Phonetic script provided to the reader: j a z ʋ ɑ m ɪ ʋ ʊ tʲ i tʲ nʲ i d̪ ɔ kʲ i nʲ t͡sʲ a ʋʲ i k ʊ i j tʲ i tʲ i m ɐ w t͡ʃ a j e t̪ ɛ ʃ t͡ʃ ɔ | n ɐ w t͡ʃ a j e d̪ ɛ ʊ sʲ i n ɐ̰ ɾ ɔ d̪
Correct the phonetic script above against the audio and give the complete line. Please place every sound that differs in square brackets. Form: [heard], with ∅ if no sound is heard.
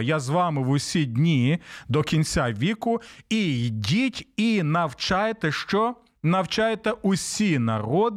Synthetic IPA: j a z ʋ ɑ m ɪ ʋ ʊ [sʲ] i [dʲ] nʲ i d̪ ɔ kʲ i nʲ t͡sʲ a ʋʲ i k ʊ i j [dʲ] i tʲ i [n] ɐ w t͡ʃ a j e t̪ ɛ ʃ t͡ʃ ɔ | n ɐ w t͡ʃ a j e [t̪] ɛ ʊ sʲ i n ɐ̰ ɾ ɔ d̪